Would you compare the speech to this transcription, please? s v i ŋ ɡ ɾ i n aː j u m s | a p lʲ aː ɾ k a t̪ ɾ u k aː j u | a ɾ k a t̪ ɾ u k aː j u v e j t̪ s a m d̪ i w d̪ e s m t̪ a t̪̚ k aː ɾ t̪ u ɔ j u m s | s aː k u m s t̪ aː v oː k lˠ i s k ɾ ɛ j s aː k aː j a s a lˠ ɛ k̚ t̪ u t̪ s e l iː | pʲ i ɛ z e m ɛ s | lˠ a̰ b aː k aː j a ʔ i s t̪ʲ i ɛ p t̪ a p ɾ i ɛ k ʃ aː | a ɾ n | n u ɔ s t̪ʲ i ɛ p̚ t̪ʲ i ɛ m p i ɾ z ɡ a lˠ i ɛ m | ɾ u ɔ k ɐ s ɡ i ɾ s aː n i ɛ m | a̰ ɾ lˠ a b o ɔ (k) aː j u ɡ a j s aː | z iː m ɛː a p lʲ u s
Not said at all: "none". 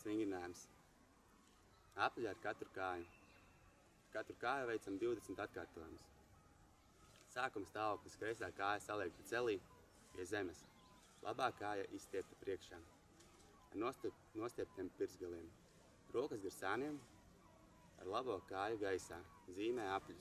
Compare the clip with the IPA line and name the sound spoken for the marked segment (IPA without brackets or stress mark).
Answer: k